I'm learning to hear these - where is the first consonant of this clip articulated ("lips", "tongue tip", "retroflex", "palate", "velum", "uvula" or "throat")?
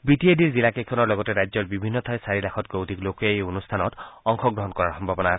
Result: lips